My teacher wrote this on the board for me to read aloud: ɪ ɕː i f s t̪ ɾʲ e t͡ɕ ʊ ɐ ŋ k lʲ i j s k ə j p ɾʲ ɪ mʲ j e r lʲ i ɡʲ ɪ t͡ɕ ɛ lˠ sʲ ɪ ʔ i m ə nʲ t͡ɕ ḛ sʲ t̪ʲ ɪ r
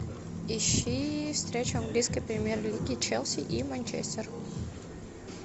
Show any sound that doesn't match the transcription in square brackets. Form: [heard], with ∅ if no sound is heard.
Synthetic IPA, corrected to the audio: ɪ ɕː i f s t̪ ɾʲ e t͡ɕ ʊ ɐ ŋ [ɡ] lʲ i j s k ə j p ɾʲ ɪ mʲ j e r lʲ i ɡʲ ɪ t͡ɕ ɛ lˠ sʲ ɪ ʔ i m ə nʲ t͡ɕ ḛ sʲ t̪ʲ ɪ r